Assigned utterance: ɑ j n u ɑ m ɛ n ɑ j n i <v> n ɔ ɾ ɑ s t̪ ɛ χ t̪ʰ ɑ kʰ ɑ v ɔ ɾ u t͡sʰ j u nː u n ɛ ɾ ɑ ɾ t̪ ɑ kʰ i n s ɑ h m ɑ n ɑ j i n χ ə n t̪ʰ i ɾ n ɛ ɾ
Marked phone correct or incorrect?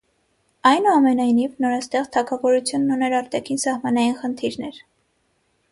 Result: correct